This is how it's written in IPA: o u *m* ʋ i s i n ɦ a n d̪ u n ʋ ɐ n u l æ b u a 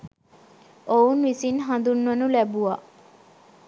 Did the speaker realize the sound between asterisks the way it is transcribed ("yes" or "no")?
no